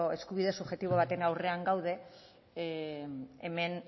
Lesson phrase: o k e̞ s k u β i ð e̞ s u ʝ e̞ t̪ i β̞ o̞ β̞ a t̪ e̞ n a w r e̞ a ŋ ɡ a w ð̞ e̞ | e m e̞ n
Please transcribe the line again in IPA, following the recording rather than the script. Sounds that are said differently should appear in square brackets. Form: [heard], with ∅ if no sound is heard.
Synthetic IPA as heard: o [∅] e̞ s k u β i ð e̞ s u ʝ e̞ t̪ i β̞ o̞ β̞ a t̪ e̞ n a w r e̞ a ŋ ɡ a w ð̞ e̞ | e m e̞ n